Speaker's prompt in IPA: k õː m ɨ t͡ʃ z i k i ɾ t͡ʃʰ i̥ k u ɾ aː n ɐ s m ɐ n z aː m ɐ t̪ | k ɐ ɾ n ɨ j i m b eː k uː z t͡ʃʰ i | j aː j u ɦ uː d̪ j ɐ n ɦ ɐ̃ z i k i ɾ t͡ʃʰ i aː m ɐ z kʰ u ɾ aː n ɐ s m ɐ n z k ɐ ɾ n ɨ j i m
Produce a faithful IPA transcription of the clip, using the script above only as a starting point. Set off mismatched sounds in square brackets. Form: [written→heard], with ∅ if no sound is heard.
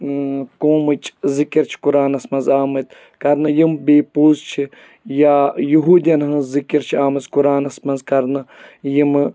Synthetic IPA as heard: k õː m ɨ t͡ʃ z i k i ɾ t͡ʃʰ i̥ k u ɾ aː n ɐ s m ɐ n z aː m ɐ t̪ | k ɐ ɾ n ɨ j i m b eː [k→p] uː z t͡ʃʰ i | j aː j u ɦ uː d̪ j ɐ n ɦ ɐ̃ z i k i ɾ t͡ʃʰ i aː m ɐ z [kʰ→k] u ɾ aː n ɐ s m ɐ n z k ɐ ɾ n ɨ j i m